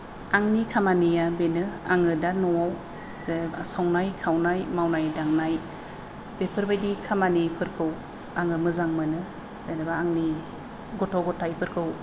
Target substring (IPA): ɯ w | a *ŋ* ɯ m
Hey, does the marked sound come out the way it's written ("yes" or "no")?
yes